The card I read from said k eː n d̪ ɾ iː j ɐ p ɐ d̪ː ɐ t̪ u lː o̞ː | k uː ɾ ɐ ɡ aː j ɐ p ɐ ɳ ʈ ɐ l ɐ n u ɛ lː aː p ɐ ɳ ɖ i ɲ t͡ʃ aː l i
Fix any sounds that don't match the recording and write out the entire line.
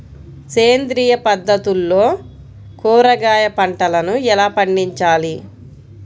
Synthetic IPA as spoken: k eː n d̪ ɾ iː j ɐ p ɐ d̪ː ɐ t̪ u lː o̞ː | k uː ɾ ɐ ɡ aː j ɐ p ɐ ɳ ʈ ɐ l ɐ n u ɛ l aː p ɐ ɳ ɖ i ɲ t͡ʃ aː l i